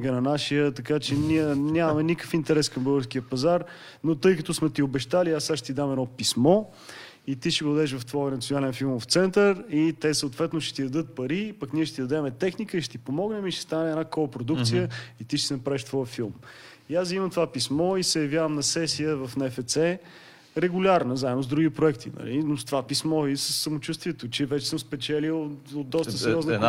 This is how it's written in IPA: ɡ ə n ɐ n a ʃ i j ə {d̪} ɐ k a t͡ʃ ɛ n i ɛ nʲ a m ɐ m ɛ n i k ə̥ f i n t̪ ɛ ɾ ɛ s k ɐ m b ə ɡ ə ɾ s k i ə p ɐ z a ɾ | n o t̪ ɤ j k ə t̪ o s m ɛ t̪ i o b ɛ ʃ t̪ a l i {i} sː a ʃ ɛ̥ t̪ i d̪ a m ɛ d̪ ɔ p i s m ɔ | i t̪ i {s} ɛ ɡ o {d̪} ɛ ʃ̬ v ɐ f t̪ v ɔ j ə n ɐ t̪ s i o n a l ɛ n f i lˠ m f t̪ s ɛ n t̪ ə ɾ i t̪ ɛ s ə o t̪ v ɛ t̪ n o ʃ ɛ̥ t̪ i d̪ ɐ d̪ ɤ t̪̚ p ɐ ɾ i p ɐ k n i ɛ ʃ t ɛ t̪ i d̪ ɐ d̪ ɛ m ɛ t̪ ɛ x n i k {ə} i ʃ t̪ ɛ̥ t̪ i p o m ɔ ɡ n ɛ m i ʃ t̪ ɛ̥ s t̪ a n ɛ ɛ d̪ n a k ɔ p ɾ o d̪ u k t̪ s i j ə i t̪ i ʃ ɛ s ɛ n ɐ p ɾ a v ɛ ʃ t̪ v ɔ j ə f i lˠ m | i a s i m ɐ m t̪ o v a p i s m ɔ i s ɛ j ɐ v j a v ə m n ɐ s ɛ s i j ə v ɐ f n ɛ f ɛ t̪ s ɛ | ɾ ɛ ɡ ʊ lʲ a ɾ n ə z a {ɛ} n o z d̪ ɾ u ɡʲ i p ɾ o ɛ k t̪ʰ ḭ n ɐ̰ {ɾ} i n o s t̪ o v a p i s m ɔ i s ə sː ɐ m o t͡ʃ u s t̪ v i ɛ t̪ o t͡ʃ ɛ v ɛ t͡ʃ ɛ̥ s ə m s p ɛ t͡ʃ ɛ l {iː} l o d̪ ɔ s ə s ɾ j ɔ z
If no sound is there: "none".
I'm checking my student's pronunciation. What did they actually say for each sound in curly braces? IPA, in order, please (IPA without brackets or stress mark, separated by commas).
t̪, a, ʃ, d̪, ə, ɛ, l, i